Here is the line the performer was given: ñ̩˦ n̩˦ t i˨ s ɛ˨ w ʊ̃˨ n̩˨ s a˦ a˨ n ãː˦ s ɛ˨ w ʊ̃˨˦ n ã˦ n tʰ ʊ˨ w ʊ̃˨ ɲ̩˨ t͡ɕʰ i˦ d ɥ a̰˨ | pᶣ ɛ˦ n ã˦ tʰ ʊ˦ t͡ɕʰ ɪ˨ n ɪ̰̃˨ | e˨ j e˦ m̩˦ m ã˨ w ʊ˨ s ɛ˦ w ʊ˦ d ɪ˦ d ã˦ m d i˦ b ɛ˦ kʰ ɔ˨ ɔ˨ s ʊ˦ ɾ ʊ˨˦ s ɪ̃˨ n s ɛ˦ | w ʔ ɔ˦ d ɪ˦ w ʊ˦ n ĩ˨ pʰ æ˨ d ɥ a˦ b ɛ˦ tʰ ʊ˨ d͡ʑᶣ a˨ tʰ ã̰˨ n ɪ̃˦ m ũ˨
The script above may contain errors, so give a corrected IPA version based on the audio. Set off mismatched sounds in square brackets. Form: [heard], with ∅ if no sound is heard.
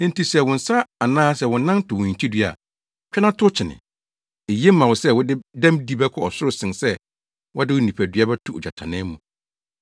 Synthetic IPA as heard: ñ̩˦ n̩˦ t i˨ s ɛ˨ w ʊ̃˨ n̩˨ s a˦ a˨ n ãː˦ s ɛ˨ w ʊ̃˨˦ n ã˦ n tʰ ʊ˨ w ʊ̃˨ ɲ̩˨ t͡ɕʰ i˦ d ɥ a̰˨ | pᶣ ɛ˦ n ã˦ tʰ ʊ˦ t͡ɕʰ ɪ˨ n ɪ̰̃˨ | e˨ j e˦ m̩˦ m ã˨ w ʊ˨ s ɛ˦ w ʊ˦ d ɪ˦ d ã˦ m d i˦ b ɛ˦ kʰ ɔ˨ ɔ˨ s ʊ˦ ɾ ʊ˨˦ s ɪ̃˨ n s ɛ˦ | w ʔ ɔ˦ d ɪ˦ w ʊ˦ n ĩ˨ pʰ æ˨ d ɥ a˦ b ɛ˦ tʰ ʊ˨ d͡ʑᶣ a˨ tʰ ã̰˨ n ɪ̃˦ m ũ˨